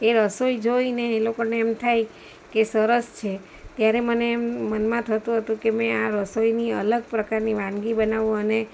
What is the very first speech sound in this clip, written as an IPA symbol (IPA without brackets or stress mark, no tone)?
e